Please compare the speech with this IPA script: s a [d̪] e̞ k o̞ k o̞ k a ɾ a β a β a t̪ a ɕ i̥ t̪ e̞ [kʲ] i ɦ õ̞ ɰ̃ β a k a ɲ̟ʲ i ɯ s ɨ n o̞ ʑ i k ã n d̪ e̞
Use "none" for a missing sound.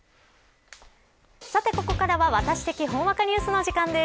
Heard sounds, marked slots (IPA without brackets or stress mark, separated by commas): t̪, kʲ